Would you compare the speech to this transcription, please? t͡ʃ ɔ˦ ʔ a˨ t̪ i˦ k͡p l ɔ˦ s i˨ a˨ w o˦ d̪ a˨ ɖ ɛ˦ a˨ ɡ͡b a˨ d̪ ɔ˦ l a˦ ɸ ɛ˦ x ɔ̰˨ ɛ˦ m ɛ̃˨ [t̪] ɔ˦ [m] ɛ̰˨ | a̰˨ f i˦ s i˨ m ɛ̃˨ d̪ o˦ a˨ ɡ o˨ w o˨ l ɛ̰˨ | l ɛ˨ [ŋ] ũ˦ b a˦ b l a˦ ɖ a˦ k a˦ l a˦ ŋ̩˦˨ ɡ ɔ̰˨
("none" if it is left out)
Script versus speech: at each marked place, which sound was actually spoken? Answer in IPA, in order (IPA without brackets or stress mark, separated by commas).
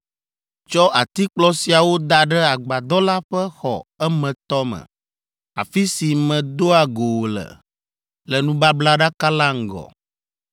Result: t̪, m, n